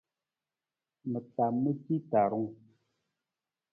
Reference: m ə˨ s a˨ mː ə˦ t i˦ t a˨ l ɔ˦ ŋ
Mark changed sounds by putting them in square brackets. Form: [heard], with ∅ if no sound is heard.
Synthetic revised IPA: m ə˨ [t] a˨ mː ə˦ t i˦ t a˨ [ɾ] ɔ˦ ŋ